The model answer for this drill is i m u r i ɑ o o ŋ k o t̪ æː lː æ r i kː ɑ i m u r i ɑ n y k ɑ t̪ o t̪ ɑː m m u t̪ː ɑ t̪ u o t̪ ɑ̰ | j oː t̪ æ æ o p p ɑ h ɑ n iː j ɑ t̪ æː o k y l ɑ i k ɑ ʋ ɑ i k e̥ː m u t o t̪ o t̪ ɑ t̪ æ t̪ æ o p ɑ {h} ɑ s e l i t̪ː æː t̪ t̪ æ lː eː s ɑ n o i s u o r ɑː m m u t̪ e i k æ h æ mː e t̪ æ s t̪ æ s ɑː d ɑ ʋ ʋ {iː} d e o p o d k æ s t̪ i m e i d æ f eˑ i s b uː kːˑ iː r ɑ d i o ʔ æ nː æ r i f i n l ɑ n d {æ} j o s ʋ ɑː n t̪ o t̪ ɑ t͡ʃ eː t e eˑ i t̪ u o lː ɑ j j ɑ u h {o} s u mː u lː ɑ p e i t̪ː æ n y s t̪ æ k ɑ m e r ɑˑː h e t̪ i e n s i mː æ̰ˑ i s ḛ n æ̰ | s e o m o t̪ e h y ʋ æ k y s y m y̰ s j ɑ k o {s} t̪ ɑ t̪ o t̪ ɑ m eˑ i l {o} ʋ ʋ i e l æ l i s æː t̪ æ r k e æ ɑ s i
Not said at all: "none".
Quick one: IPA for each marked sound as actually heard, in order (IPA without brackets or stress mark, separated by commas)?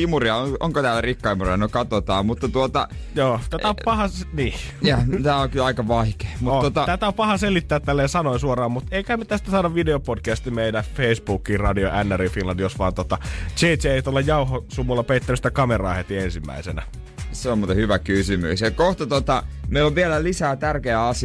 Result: h, i, i, o, h, o